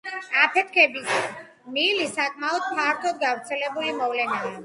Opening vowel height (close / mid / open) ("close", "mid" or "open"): open